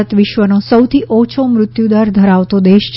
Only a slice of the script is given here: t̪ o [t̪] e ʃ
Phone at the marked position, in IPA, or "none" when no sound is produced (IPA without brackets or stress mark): d̪